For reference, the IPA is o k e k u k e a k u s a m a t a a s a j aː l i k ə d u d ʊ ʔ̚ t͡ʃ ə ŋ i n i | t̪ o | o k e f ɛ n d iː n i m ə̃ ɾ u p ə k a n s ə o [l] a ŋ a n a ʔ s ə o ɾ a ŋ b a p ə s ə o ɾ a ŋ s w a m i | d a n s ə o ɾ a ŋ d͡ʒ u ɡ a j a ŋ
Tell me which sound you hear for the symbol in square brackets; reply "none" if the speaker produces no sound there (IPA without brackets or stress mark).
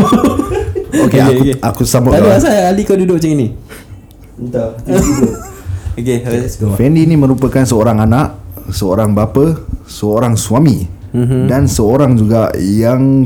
ɾ